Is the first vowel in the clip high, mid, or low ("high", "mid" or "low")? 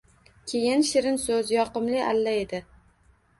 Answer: mid